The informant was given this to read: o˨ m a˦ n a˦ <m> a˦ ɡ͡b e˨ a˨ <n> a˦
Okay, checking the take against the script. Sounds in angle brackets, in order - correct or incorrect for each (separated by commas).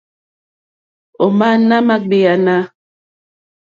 correct, correct